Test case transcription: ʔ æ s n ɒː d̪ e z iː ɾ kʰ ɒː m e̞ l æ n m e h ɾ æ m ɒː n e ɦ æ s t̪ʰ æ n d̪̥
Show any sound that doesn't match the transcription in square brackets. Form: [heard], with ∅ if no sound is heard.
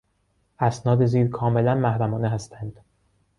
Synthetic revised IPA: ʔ æ s n ɒː d̪ e z iː ɾ kʰ ɒː m e̞ l æ n m [æ] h ɾ æ m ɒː n e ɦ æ s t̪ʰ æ n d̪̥